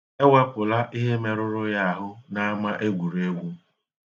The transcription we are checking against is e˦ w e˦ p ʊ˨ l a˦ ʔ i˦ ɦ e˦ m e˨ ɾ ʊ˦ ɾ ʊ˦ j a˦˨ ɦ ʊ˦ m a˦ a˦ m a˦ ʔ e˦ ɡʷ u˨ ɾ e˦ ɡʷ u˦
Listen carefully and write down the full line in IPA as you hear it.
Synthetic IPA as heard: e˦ w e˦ p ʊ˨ l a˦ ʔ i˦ ɦ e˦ m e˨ ɾ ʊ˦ ɾ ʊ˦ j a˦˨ ɦ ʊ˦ n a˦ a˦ m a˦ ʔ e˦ ɡʷ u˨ ɾ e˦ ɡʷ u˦